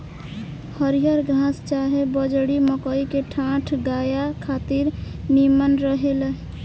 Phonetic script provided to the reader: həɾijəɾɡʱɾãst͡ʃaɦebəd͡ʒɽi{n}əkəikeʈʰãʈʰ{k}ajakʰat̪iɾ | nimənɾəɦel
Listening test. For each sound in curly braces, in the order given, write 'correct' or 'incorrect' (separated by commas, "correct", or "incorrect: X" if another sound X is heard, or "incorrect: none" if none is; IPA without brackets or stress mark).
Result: incorrect: m, incorrect: ɡ